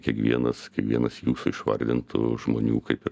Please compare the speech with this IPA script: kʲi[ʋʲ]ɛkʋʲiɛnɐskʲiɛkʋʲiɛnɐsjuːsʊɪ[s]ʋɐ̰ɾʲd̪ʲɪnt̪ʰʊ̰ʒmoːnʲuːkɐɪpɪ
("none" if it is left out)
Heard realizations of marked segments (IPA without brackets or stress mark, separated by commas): none, ʃ